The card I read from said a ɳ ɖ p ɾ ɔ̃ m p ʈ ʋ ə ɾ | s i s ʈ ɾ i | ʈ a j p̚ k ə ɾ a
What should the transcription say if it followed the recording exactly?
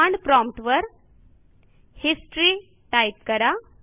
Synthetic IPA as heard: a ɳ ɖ p ɾ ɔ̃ m p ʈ ʋ ə ɾ | h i s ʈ ɾ i | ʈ a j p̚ k ə ɾ a

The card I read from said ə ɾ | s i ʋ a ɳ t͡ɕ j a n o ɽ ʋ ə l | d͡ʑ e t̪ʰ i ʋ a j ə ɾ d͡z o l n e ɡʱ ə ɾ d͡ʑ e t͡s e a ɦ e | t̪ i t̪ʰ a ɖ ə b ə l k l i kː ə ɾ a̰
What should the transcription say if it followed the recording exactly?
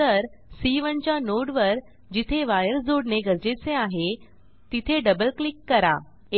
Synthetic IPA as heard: ə ɾ | s i ʋ ə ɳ t͡ɕ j a n o ɽ ʋ ə ɾ | d͡ʑ i t̪ʰ e ʋ a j ə ɾ d͡z o ɽ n e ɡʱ ə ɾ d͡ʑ e t͡s e a ɦ e | t̪ i t̪ʰ e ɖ ə b ə l k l i kː ə ɾ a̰

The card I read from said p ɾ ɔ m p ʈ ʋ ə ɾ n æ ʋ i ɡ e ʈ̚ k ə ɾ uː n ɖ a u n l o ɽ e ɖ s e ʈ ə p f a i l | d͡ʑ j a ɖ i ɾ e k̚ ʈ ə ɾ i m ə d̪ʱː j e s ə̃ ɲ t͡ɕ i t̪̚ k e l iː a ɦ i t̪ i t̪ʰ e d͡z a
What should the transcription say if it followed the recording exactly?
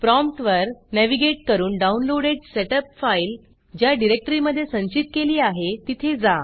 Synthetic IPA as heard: p ɾ ɔ m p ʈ ʋ ə ɾ n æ ʋ i ɡ e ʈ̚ k ə ɾ uː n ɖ a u n l o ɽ e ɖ s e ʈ ə p f a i l | d͡ʑ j a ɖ i ɾ e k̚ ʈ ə ɾ i m ə d̪ʱː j e s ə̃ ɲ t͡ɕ i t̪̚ k e l iː a ɦ e t̪ i t̪ʰ e d͡z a

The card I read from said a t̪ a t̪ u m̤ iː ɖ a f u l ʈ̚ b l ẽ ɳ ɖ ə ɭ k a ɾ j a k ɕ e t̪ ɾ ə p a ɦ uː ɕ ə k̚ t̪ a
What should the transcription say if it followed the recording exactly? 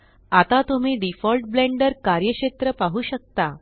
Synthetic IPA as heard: a t̪ a t̪ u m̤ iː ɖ i f ɔ l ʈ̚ b l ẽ ɳ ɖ ə ɾ k a ɾ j ə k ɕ e t̪ ɾ ə p a ɦ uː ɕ ə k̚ t̪ a

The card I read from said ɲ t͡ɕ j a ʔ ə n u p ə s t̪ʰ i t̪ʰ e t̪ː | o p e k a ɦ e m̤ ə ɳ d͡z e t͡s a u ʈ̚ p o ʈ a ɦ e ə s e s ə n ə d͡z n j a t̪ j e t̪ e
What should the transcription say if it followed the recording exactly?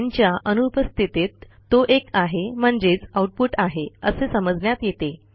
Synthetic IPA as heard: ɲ t͡ɕ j a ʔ ə n u p ə s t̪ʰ i t̪ e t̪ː | o ʔ e k a ɦ e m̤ ə ɳ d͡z e t͡s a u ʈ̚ p u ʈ a ɦ e ə s e s ə m ə d͡z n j a t̪ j e t̪ e

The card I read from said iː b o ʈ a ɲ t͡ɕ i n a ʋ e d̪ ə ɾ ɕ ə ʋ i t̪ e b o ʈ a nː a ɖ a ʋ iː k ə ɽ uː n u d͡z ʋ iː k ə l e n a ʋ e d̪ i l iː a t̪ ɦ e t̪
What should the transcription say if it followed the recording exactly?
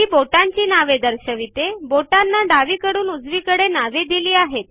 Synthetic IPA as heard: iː b o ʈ a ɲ t͡ɕ iː n a ʋ e d̪ ə ɾ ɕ ə ʋ i t̪ e b o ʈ a nː a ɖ a ʋ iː k ə ɽ uː n u d͡z ʋ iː k ə ɽ e n a ʋ e d̪ i l iː a ɦ e t̪

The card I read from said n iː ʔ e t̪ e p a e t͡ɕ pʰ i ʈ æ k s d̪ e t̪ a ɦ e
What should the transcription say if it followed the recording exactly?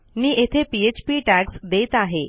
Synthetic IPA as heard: n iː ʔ e t̪ʰ e p i e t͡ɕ p i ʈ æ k s d̪ e t̪ a ɦ e

